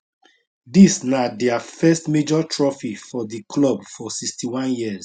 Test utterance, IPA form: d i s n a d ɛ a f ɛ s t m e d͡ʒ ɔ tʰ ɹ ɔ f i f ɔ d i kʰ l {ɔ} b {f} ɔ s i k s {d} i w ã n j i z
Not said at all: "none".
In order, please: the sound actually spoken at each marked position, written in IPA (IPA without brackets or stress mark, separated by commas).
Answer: ɔ, f, t